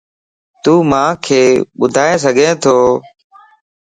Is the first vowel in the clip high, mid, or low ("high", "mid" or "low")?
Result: high